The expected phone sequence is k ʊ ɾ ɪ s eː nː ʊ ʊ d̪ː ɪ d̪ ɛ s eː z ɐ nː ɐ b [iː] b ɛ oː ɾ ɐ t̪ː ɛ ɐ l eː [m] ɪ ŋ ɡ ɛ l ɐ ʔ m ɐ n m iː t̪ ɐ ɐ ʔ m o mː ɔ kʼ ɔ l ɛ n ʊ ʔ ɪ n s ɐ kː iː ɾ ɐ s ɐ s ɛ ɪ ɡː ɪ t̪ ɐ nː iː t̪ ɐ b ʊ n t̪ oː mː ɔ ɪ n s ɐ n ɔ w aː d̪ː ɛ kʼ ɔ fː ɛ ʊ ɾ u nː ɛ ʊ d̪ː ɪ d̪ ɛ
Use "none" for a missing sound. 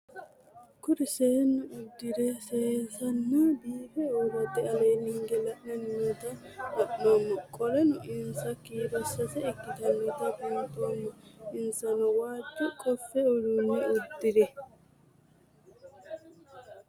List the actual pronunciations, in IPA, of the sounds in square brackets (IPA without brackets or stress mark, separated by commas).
iː, n